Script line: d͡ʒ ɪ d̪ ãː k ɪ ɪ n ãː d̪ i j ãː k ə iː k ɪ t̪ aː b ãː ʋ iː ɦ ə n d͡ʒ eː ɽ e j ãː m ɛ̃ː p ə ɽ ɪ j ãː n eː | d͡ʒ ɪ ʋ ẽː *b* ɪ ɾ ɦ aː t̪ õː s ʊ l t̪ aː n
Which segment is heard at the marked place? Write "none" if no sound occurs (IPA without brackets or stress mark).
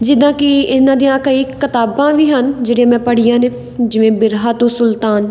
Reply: b